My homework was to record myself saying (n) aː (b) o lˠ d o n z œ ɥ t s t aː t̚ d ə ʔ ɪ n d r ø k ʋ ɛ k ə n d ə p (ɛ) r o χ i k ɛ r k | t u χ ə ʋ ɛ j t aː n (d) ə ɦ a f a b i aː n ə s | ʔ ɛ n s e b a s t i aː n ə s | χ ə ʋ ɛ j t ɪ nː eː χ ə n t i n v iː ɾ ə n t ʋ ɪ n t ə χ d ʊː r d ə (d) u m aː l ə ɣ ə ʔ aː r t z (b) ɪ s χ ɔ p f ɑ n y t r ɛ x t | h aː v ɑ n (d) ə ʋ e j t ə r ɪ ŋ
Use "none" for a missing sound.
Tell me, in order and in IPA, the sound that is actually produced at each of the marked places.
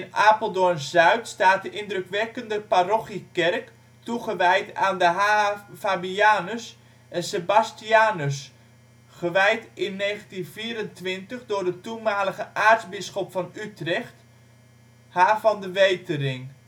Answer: n, p, a, d, t, b, d

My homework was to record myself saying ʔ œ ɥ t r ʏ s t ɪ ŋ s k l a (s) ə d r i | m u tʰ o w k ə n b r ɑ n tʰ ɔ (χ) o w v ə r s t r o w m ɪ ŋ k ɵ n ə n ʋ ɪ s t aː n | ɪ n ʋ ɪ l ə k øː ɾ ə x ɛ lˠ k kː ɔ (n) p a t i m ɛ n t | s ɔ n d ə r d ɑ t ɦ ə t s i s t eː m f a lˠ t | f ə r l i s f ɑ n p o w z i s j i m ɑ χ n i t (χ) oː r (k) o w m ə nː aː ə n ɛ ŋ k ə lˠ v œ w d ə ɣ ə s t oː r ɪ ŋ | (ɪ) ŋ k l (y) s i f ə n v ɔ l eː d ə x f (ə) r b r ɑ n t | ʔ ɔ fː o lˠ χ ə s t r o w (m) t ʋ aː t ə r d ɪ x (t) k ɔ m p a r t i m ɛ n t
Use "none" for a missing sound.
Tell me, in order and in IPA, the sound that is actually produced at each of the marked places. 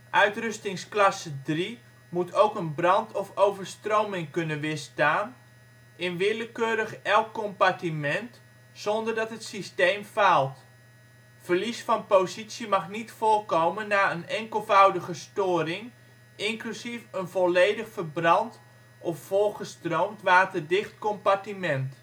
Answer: s, f, m, f, k, ɪ, y, ə, m, t

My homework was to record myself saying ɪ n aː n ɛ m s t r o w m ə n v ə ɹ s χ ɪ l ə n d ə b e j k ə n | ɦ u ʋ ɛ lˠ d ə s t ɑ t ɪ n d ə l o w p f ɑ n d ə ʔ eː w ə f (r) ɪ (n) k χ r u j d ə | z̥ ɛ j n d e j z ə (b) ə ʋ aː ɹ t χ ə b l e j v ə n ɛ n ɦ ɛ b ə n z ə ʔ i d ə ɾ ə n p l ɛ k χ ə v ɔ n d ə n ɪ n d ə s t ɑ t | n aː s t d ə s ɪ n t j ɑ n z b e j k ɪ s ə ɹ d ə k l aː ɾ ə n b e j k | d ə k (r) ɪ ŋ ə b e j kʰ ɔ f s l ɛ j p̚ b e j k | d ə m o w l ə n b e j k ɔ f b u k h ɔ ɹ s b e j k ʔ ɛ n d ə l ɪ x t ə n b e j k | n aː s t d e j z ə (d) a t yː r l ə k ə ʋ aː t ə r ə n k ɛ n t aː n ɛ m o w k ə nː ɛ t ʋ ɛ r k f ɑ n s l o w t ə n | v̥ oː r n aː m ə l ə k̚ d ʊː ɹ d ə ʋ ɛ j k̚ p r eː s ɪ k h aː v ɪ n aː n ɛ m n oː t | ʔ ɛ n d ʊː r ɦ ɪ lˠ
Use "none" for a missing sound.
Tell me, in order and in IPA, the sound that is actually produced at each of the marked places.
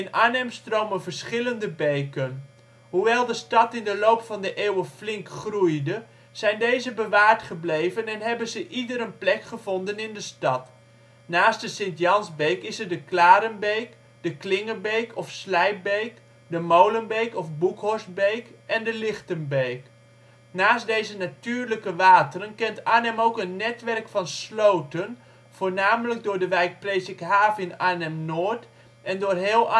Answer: l, ŋ, b, l, n

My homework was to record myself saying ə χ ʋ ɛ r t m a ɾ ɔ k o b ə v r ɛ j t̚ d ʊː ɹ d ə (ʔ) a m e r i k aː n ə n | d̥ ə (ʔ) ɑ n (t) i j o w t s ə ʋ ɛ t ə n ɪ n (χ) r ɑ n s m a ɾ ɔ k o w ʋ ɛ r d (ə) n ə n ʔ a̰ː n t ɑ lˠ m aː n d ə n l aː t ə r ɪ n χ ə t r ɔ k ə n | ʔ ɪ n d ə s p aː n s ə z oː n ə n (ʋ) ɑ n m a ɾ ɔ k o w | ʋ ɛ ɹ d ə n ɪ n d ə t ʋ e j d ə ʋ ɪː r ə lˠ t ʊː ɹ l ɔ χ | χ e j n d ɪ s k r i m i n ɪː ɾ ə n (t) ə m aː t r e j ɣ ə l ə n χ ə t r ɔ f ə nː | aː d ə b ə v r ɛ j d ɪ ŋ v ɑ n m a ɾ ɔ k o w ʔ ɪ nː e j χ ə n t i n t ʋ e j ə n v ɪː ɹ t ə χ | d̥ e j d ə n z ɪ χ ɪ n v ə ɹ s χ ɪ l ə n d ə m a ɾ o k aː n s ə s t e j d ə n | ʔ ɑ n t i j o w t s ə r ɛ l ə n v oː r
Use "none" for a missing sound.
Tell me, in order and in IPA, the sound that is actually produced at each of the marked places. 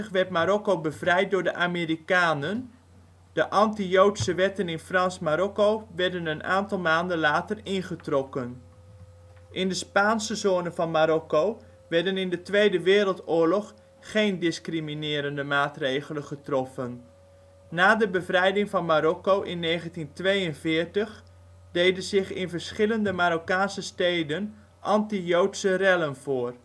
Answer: ʔ, ʔ, t, f, ə, v, d

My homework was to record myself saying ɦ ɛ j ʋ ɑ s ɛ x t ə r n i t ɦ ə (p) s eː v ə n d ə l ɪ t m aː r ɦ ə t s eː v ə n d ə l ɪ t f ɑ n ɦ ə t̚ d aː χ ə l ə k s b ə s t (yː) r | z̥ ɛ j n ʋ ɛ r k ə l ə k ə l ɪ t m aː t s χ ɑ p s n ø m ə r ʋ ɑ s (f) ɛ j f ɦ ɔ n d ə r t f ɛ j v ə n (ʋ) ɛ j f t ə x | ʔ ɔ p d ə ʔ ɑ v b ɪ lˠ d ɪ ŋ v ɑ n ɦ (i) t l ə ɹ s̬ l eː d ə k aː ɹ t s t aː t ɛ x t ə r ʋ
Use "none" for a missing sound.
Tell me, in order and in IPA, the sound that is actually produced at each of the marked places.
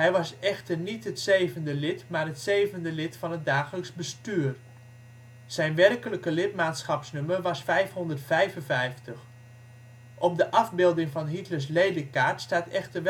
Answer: t, yː, f, v, i

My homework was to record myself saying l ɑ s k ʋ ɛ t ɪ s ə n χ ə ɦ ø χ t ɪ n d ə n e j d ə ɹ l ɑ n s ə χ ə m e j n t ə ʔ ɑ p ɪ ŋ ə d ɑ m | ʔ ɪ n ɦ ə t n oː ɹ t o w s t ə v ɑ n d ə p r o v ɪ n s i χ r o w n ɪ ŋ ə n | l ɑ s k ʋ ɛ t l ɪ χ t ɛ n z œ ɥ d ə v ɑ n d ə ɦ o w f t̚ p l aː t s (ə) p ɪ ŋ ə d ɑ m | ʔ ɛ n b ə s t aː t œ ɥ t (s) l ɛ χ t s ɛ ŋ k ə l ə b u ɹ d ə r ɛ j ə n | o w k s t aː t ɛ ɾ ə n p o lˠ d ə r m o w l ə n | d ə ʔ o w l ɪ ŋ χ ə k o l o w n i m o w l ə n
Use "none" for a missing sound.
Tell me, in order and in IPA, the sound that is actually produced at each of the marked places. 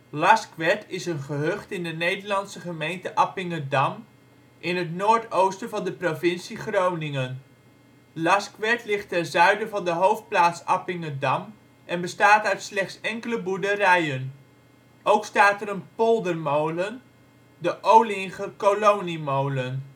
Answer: ɑ, s

